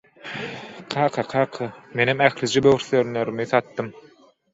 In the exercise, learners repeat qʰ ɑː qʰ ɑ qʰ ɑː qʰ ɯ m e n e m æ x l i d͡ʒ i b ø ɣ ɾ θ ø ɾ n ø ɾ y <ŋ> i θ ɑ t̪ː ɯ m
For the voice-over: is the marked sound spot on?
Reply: no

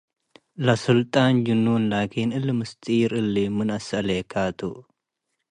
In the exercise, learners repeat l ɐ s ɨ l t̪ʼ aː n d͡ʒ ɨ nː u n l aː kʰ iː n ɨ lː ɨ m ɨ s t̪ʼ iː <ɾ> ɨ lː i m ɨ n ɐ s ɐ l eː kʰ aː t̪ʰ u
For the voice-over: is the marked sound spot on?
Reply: yes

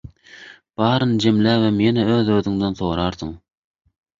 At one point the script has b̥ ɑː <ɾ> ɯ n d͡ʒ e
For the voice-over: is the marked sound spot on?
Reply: yes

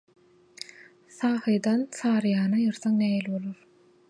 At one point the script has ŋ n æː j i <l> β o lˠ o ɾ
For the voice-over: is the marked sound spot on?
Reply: yes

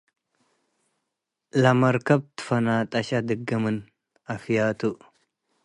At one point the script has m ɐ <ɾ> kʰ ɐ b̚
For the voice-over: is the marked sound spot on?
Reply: yes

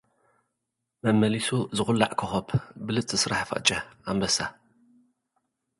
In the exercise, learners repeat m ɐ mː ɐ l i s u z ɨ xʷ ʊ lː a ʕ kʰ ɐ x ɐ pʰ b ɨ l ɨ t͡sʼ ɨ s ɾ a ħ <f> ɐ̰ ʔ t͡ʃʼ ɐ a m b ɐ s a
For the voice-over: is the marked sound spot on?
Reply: yes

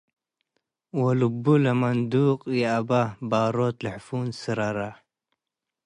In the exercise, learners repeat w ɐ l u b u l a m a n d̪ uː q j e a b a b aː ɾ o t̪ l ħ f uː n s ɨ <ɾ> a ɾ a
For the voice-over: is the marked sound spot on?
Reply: yes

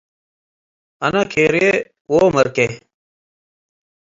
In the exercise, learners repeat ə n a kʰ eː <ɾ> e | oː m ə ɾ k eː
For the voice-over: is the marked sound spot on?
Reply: yes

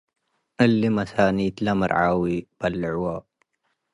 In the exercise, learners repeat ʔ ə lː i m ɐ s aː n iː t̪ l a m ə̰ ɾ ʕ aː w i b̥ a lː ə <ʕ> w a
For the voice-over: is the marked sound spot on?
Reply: yes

